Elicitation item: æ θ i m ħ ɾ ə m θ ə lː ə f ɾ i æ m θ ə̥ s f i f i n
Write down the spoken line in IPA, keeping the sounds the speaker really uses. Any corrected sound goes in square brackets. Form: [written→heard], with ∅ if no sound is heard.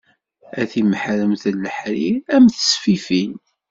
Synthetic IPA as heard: æ θ i m ħ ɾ ə m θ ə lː ə [f→ħ] ɾ i æ m θ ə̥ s f i f i n